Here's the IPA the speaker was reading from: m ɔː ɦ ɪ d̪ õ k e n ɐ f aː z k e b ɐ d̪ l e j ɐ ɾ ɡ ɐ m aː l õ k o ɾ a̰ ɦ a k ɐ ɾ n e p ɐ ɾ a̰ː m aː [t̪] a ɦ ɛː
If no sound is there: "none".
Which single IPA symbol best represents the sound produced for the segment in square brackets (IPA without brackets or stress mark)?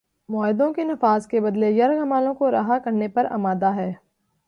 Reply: d̪